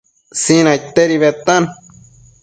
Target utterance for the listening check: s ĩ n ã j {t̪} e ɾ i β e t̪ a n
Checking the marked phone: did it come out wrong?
no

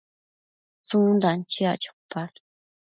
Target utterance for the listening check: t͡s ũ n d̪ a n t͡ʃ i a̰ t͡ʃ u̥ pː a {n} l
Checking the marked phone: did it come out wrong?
yes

